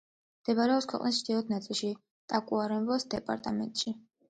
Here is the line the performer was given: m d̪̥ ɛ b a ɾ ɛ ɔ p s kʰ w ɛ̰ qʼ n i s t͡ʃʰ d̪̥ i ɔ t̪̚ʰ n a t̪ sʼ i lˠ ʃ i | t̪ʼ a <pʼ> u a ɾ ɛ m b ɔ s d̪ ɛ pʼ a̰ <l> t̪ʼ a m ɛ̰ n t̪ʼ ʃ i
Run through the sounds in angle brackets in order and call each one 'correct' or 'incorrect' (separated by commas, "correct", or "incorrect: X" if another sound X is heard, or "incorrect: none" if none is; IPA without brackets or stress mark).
incorrect: kʼ, incorrect: ɾ